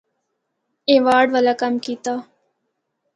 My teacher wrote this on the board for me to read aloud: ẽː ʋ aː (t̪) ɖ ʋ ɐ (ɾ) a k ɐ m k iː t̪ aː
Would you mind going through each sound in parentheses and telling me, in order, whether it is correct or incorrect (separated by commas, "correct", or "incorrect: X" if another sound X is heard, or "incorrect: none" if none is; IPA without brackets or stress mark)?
incorrect: none, incorrect: l